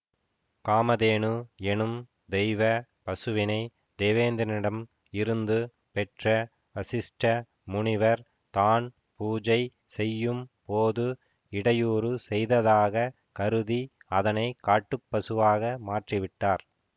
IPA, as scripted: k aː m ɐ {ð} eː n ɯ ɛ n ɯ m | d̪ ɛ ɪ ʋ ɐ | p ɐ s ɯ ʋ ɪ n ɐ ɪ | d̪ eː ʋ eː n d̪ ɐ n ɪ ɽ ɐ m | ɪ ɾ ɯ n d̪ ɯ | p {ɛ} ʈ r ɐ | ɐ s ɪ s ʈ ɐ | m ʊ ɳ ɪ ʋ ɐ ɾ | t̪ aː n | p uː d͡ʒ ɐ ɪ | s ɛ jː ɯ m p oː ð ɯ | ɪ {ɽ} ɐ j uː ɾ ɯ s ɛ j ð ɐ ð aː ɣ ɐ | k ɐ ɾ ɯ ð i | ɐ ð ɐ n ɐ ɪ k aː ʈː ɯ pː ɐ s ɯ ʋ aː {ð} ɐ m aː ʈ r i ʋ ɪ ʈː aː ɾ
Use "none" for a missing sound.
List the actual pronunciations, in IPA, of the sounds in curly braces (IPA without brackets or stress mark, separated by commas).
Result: ð, ɛ, ɽ, ɣ